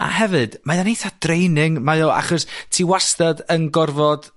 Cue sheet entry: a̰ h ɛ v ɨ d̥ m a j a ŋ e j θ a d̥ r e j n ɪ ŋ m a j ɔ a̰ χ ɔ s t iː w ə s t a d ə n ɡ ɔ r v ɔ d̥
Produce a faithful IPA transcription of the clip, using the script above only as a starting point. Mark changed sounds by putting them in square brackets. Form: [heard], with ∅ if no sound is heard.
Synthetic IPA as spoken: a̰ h ɛ v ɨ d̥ m a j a [n] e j θ a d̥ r e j n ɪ ŋ m a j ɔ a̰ χ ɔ s [tʰ] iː w [a] s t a d ə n ɡ ɔ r v ɔ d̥